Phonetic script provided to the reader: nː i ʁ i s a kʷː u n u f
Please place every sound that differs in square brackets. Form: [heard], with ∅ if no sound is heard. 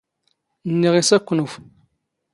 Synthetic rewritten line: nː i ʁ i s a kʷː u n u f